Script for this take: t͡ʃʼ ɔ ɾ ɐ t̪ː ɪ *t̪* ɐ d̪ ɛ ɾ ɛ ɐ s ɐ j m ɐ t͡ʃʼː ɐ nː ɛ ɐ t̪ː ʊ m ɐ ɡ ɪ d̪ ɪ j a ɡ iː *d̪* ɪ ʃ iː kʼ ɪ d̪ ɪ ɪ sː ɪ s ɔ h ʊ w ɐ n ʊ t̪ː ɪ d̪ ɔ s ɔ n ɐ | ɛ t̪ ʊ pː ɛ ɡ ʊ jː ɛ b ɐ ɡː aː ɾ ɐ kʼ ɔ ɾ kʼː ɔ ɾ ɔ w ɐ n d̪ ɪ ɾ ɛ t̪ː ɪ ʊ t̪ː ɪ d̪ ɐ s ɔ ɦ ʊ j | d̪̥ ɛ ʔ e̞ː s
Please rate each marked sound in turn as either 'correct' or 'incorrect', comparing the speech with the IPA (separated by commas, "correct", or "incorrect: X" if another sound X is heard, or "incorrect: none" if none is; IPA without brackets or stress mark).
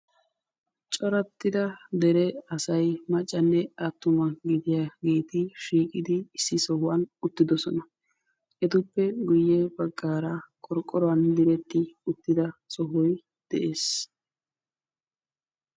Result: incorrect: d̪, incorrect: t̪